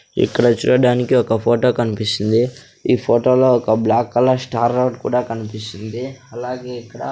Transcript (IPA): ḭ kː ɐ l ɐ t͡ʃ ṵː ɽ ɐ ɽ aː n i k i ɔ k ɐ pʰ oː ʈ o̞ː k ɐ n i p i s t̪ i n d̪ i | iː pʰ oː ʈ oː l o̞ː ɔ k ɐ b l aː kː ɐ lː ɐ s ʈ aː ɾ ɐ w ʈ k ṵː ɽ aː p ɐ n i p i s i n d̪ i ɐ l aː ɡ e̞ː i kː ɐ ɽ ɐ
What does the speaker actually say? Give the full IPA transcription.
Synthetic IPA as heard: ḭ kː ɐ ɽ ɐ t͡ʃ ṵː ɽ ɐ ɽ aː n i k i ɔ k ɐ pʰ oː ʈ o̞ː k ɐ n i p i s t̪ i n d̪ i | iː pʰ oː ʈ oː l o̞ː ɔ k ɐ b l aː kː ɐ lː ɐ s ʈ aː ɾ ɐ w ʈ k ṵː ɽ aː k ɐ n i p i s i n d̪ i ɐ l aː ɡ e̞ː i kː ɐ ɽ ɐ